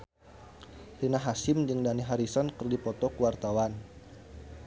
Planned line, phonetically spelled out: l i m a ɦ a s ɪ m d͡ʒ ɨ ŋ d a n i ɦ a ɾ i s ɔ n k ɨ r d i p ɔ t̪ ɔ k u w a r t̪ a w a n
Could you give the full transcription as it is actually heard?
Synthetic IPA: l i n a ɦ a s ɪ m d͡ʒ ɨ ŋ d a n i ɦ a ɾ i s ɔ n k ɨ r d i p ɔ t̪ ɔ k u w a r t̪ a w a n